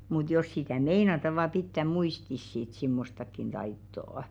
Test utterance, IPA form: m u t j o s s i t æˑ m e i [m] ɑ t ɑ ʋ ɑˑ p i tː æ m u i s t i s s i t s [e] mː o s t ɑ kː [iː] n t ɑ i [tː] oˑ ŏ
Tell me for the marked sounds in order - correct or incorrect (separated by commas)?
incorrect, incorrect, incorrect, correct